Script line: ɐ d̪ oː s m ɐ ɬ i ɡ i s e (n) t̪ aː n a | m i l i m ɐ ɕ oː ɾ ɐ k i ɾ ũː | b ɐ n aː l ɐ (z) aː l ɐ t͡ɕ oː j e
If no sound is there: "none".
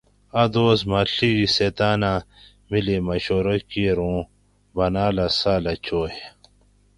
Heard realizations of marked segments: none, s

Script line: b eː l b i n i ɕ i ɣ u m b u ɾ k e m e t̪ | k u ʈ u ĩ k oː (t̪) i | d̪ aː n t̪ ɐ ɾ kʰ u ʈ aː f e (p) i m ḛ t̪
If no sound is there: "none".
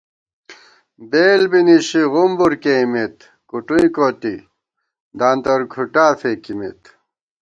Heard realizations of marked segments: t̪, k

